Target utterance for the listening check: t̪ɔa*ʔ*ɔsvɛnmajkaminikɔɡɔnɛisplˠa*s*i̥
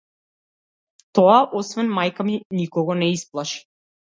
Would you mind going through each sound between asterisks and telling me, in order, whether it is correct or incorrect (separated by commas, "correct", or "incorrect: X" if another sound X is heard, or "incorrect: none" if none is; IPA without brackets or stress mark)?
correct, incorrect: ʃ